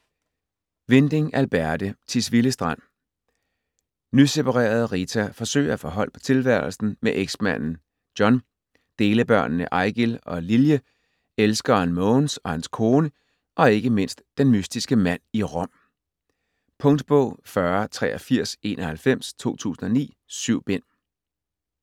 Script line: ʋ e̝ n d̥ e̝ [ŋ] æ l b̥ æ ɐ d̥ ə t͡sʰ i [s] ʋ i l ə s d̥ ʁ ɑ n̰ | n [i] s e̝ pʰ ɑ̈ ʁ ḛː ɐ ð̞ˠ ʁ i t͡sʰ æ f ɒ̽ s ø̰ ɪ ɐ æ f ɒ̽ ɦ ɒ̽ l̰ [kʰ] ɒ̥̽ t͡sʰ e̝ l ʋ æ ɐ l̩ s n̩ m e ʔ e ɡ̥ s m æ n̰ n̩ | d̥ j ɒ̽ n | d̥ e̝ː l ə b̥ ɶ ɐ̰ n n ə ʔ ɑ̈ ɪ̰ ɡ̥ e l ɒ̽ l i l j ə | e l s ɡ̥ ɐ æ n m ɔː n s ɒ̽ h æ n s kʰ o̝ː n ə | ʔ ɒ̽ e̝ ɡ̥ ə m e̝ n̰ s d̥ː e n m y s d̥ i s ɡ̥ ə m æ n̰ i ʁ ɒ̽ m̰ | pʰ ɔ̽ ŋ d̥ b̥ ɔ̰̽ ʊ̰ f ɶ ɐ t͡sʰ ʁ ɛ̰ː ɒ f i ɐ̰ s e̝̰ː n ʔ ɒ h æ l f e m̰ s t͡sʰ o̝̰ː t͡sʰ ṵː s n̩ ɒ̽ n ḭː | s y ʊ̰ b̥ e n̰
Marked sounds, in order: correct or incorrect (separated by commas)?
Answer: correct, correct, incorrect, incorrect